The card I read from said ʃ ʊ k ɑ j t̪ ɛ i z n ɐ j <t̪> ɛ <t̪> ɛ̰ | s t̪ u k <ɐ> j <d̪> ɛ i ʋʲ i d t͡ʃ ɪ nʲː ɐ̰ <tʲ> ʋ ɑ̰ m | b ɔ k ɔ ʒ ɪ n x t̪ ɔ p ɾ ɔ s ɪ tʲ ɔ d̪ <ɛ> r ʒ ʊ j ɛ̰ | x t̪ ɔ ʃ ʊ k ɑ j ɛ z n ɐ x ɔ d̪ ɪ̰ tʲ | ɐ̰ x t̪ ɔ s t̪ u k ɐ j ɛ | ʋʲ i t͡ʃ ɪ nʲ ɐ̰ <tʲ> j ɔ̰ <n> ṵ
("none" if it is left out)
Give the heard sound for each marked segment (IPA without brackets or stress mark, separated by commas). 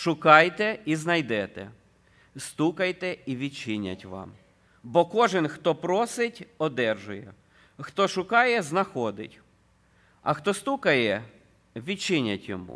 d̪, t̪, ɐ, t̪, tʲ, ɛ, tʲ, m